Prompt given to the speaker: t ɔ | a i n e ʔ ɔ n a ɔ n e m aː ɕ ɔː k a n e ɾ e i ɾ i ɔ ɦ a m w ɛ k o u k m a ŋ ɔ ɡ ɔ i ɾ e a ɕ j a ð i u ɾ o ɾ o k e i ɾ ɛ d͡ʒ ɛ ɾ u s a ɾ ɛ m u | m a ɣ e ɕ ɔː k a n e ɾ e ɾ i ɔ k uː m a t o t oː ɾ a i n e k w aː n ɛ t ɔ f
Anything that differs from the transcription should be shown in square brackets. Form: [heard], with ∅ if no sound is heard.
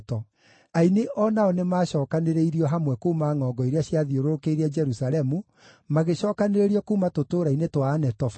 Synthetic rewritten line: t ɔ | a i n e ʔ ɔ n a ɔ n e m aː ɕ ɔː k a n e ɾ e i ɾ i ɔ ɦ a m w ɛ k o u [∅] m a ŋ ɔ ɡ ɔ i ɾ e a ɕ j a ð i [o] ɾ o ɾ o k e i ɾ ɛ d͡ʒ ɛ ɾ u s a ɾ ɛ m u | m a ɣ e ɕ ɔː k a n e ɾ e ɾ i ɔ k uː m a t o t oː ɾ a i n e [t] w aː n ɛ t ɔ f